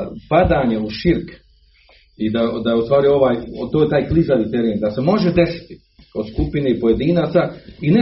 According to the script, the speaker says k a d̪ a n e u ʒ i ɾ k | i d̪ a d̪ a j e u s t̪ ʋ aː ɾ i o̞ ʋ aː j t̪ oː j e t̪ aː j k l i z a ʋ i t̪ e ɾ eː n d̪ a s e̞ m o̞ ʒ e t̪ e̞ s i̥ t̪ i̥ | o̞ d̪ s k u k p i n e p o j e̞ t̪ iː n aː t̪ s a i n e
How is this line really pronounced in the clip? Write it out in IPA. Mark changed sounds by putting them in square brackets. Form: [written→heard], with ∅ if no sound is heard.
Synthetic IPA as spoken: [k→p] a d̪ a [n→ɲ] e u [ʒ→ʃ] i ɾ k | i d̪ a d̪ a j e u s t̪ ʋ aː ɾ i o̞ ʋ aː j t̪ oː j e t̪ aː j k l i z a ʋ i t̪ e ɾ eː n d̪ a s e̞ m o̞ ʒ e [t̪→d̪] e̞ s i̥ t̪ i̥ | o̞ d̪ s k u [k→∅] p i n e p o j e̞ [t̪→d̪] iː n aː t̪ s a i n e